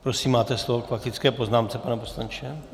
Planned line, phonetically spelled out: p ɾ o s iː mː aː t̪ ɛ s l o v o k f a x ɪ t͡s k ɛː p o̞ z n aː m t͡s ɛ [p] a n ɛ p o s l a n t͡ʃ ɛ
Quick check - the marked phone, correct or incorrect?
correct